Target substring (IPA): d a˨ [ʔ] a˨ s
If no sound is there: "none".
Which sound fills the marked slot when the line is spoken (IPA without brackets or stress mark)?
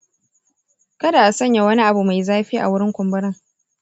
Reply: ʔ